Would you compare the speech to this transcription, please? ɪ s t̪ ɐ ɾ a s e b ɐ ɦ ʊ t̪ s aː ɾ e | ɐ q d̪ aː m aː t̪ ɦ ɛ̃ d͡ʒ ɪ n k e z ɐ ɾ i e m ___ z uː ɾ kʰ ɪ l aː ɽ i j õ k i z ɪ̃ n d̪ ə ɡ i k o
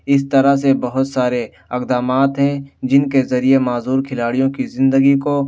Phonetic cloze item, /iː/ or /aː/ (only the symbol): aː